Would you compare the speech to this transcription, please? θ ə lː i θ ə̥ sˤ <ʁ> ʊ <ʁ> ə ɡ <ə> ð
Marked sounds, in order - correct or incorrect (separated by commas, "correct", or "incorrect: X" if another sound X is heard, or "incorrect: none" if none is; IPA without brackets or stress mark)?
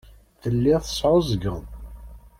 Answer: incorrect: ʕ, incorrect: z, correct